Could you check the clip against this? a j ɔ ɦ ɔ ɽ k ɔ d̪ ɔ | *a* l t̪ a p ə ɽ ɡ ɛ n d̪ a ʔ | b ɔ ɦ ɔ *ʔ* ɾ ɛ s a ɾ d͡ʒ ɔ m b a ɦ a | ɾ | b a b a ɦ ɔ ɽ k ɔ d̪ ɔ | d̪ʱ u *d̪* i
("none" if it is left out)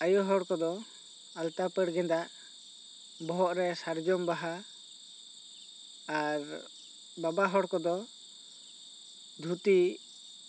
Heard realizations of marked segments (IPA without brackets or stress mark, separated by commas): a, ʔ, t̪